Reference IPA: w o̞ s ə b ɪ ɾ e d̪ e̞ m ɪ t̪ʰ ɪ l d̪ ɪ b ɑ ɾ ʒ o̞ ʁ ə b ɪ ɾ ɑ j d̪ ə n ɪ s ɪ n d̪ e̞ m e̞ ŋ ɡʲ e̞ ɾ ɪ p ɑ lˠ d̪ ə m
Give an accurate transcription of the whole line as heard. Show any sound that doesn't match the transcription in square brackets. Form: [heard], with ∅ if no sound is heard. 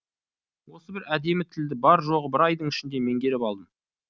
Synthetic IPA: w o̞ s ə b ɪ ɾ [æ] d̪ e̞ m ɪ t̪ʰ ɪ l d̪ ɪ b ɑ ɾ ʒ o̞ ʁ ə b ɪ ɾ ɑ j d̪ ə [ɴ] ɪ [ʃ] ɪ n d̪ e̞ m e̞ ŋ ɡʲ e̞ ɾ ɪ p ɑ lˠ d̪ ə m